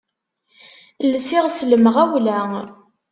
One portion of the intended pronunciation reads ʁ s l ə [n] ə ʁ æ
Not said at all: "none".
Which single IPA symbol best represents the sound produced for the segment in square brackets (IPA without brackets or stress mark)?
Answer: m